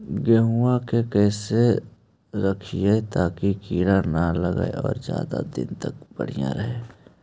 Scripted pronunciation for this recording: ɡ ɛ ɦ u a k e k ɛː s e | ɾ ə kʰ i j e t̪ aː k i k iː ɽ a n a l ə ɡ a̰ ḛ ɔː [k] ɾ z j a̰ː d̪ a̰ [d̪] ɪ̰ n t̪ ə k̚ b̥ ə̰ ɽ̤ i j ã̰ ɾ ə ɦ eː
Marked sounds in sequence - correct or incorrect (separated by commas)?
incorrect, correct